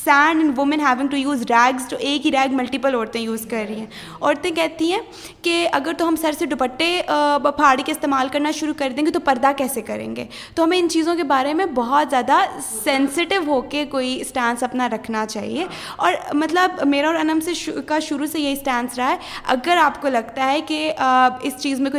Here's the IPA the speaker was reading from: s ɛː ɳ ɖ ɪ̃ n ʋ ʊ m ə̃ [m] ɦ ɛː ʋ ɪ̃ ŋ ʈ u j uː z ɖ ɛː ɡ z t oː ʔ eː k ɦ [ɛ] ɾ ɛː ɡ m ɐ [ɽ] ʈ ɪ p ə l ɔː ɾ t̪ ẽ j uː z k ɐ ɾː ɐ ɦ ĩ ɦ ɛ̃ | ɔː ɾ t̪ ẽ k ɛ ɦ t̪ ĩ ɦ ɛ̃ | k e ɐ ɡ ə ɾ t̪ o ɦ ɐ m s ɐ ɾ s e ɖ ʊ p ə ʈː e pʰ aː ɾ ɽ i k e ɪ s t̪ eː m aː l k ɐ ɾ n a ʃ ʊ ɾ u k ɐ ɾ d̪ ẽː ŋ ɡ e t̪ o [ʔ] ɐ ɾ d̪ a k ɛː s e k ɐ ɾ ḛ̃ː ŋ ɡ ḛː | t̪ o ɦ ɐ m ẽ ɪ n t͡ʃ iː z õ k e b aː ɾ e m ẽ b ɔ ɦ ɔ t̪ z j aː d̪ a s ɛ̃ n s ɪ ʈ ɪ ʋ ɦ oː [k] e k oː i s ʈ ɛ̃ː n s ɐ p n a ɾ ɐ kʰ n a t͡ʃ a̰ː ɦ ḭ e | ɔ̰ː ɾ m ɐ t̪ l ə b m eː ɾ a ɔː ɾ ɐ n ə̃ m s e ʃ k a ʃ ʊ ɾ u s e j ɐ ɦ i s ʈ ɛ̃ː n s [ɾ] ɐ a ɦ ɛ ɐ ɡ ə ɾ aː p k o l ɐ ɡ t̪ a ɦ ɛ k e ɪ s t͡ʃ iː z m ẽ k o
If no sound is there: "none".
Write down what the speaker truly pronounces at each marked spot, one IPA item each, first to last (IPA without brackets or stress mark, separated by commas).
n, i, l, p, k, ɾ